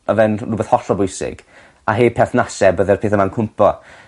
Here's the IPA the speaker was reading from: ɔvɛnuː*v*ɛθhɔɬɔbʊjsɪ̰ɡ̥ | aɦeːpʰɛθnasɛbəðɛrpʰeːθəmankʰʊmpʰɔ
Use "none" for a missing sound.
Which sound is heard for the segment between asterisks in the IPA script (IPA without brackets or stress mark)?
b